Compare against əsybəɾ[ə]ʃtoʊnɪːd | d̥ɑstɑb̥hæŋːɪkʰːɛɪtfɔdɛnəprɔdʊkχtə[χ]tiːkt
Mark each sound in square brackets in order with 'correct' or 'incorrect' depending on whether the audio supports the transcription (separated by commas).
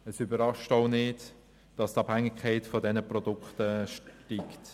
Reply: incorrect, incorrect